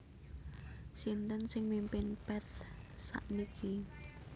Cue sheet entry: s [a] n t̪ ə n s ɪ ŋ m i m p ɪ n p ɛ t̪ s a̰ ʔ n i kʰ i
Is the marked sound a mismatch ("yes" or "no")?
yes